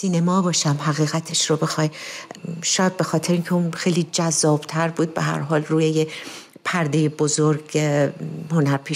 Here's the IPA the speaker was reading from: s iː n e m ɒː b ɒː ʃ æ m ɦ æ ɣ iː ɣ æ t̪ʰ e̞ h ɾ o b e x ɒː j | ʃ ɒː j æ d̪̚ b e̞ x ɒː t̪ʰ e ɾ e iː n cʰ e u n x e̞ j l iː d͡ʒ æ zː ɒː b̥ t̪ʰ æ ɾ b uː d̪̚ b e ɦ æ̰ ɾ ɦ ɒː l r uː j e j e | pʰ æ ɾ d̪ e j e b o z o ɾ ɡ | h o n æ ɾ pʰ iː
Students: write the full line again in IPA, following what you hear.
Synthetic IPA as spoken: s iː n e m ɒː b ɒː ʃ æ m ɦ æ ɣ iː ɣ æ t̪ʰ e̞ ʃ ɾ o b e x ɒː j | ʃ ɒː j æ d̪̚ b e̞ x ɒː t̪ʰ e ɾ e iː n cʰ e u n x e̞ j l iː d͡ʒ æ zː ɒː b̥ t̪ʰ æ ɾ b uː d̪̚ b e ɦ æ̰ ɾ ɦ ɒː l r uː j e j e | pʰ æ ɾ d̪ e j e b o z o ɾ ɡ | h o n æ ɾ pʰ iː